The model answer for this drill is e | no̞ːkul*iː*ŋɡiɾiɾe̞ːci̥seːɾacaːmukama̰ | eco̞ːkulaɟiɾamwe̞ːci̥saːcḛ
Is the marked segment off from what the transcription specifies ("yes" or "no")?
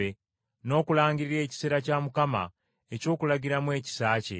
yes